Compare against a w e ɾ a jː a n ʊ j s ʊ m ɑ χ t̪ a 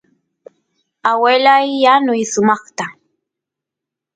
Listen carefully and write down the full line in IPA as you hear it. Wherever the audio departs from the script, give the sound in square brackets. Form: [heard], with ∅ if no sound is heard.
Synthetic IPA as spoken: a w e [l] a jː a n ʊ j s ʊ m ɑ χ t̪ a